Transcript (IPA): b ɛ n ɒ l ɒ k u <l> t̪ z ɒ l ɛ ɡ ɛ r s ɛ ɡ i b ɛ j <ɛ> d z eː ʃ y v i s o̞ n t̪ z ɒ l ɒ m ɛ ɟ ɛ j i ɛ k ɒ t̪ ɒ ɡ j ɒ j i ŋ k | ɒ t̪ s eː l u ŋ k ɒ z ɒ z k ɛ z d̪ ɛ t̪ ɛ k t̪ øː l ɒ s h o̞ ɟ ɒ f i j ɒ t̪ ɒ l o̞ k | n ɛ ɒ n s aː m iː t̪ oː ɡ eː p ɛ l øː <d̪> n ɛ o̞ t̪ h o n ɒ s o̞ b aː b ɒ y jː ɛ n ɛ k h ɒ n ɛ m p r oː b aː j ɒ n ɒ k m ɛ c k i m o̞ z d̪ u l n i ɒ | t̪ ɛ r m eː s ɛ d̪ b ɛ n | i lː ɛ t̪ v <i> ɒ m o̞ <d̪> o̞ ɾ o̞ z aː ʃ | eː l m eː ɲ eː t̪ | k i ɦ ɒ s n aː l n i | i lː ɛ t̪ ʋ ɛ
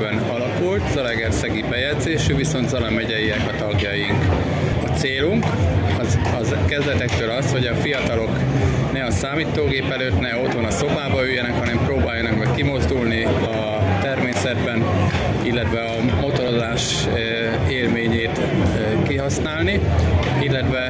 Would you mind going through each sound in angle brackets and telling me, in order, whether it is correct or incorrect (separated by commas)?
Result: correct, correct, incorrect, incorrect, incorrect